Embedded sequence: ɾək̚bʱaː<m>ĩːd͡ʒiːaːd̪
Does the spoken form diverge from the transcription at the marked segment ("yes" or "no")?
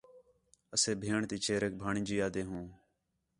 yes